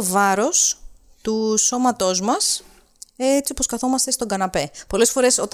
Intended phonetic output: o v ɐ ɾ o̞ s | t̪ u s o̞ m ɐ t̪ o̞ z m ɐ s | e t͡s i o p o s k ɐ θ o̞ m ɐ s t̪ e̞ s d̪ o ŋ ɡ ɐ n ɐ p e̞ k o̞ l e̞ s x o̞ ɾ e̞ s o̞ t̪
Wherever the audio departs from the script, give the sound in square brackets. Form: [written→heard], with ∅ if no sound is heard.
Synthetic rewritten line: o v ɐ ɾ o̞ s | t̪ u s o̞ m ɐ t̪ o̞ z m ɐ s | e t͡s i o p o s k ɐ θ o̞ m ɐ s t̪ e̞ s [d̪→t̪] o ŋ ɡ ɐ n ɐ p e̞ [k→p] o̞ l e̞ s [x→f] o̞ ɾ e̞ s o̞ t̪